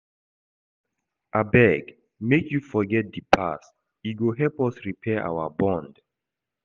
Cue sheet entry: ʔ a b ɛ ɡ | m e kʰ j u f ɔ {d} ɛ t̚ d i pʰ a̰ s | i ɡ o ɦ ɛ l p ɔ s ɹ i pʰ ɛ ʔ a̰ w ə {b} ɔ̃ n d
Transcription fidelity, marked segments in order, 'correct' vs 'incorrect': incorrect, correct

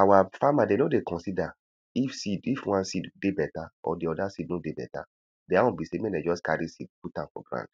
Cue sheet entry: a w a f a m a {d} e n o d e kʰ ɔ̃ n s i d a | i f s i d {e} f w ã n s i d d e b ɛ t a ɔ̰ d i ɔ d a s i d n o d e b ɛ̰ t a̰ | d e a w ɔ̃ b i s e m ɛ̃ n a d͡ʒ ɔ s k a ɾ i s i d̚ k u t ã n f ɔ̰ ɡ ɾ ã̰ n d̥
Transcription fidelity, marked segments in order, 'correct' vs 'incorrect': correct, incorrect

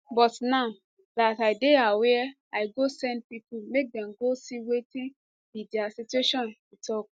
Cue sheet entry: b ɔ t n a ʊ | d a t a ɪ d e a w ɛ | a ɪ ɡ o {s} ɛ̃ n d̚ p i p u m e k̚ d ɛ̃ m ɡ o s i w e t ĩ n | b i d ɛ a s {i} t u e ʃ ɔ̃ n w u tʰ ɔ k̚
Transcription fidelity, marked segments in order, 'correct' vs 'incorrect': correct, correct

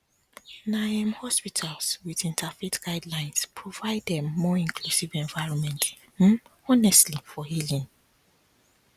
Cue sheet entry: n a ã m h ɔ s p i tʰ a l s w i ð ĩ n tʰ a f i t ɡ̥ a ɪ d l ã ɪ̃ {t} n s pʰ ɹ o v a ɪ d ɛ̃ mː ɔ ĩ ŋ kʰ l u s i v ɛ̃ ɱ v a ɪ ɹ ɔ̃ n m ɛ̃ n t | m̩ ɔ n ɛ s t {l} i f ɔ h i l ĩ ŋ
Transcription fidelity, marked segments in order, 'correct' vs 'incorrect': incorrect, correct

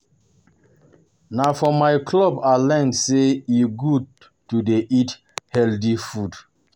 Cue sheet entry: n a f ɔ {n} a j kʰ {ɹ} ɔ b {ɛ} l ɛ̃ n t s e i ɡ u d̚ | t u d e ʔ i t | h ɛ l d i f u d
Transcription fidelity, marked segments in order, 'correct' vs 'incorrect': incorrect, incorrect, incorrect

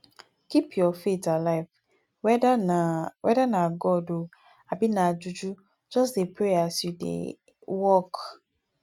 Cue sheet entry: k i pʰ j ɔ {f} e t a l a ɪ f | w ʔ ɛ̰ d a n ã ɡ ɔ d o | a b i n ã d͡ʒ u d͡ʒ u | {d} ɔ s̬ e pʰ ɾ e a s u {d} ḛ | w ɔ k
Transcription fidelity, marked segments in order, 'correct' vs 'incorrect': correct, incorrect, correct

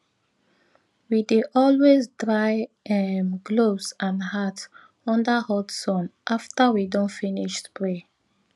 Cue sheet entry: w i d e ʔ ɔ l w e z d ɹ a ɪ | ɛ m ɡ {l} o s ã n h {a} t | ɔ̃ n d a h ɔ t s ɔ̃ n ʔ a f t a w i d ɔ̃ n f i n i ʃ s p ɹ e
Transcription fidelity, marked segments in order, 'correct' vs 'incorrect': correct, correct

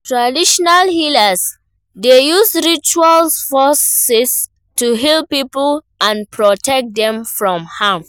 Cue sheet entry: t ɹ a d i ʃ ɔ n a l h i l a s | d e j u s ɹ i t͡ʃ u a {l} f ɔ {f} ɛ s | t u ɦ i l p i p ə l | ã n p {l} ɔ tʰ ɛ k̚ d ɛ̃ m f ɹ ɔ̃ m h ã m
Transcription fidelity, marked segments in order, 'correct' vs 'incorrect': correct, incorrect, incorrect

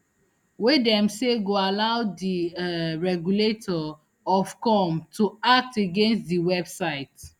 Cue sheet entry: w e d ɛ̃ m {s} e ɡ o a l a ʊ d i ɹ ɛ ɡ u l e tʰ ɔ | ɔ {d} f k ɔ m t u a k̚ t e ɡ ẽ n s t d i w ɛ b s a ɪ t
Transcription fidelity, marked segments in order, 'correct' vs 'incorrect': correct, incorrect

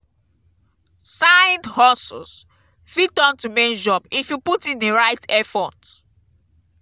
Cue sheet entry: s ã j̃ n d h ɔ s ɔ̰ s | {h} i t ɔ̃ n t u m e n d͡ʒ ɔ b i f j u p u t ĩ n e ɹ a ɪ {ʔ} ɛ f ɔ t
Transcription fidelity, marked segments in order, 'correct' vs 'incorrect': incorrect, incorrect

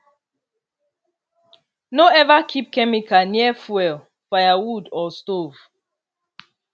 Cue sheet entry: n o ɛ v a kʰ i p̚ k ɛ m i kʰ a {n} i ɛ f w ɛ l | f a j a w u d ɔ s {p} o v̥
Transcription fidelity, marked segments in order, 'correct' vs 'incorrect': correct, incorrect

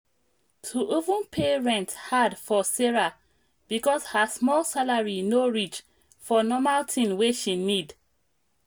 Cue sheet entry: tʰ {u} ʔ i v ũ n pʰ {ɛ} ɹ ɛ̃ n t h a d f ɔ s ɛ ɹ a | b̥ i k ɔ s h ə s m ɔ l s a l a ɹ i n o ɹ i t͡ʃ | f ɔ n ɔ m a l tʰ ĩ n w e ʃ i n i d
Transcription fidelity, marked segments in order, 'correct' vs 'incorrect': correct, incorrect

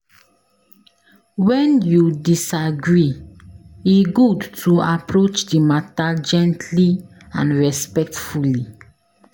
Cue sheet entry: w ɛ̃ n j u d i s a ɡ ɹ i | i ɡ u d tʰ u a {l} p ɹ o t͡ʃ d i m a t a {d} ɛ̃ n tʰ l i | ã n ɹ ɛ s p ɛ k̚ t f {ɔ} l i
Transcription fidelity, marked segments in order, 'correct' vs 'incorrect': incorrect, incorrect, incorrect

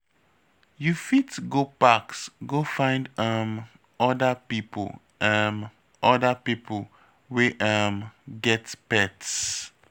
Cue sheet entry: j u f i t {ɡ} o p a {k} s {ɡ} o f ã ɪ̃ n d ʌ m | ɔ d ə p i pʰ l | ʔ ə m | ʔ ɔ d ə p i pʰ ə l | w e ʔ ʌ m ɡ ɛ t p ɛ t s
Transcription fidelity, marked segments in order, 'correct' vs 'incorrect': correct, correct, correct

